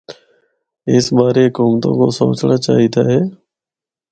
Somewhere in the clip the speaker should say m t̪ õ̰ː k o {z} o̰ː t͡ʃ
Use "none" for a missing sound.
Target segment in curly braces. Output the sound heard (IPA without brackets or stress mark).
s